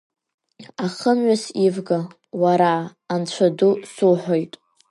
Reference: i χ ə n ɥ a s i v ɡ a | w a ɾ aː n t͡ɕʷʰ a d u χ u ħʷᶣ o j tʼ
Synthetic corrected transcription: a χ ə m ɥ a s i v ɡ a | w a ɾ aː n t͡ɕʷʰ a d u s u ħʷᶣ o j tʼ